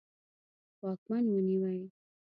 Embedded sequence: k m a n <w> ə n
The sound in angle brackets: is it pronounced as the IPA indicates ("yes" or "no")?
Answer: yes